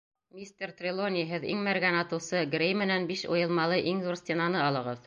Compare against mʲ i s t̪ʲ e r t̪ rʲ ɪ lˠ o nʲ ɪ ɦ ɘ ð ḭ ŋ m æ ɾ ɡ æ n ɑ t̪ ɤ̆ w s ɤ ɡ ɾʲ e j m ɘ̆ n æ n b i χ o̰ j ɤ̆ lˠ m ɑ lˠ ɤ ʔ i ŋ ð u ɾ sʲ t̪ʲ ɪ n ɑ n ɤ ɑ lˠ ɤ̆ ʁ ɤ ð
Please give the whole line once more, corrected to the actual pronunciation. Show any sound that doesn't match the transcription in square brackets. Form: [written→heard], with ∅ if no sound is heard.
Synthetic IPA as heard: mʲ i s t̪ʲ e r t̪ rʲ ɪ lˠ o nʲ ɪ ɦ ɘ ð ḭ ŋ m æ ɾ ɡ æ n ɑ t̪ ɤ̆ w s ɤ ɡ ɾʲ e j m ɘ̆ n æ n b i [χ→ʃ] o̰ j ɤ̆ lˠ m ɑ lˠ ɤ ʔ i ŋ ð u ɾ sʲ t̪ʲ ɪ n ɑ n ɤ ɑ lˠ ɤ̆ ʁ ɤ ð